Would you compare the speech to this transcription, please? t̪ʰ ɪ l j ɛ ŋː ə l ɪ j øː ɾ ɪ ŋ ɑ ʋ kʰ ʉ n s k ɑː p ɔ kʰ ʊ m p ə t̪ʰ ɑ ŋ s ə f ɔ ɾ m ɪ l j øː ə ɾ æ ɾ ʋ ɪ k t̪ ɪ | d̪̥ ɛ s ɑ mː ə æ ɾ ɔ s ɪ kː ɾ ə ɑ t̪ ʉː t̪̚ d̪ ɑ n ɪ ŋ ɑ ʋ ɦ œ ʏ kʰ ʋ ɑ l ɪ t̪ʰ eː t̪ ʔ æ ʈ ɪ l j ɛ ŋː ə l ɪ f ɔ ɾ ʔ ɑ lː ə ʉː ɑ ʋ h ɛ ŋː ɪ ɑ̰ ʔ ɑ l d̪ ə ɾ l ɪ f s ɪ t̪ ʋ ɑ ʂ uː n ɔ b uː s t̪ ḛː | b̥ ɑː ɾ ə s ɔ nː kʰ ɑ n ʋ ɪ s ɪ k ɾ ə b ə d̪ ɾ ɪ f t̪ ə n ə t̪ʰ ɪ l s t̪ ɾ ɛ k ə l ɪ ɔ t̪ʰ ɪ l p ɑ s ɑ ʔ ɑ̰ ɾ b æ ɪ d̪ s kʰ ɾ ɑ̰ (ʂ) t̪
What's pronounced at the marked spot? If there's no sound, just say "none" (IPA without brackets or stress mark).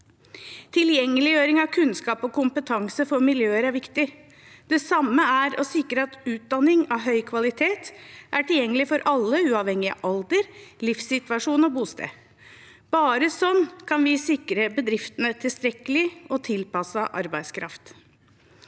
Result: f